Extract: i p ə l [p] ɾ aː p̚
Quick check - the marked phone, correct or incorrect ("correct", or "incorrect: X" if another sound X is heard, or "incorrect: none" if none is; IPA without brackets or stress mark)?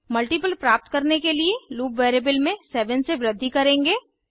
correct